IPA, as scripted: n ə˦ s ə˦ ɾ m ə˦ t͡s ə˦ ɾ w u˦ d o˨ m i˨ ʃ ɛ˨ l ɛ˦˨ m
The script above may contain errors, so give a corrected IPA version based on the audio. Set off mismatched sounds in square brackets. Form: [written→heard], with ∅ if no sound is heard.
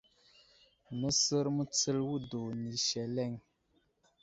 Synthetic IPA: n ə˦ s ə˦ ɾ m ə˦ t͡s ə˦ [ɾ→l] w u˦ d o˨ [m→n] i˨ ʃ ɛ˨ l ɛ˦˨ [m→ŋ]